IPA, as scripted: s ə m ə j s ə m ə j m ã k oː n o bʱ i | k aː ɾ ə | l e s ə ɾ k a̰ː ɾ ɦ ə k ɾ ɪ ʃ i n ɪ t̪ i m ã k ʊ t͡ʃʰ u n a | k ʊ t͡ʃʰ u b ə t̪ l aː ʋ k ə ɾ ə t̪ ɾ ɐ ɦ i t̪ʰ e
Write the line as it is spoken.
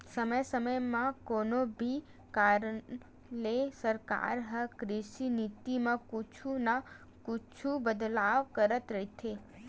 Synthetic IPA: s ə m ə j s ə m ə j m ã k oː n o bʱ i | k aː ɾ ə | l e s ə ɾ k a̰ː ɾ ɦ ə k ɾ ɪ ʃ i n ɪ t̪ i m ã k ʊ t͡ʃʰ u n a | k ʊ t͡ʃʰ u b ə d̪ l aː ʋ k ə ɾ ə t̪ ɾ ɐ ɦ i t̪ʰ e